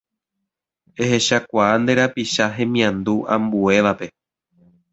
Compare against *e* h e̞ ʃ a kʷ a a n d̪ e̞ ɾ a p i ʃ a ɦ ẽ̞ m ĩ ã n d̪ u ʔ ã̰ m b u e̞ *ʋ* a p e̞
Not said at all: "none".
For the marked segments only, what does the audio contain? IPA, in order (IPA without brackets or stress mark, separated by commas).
e, ʋ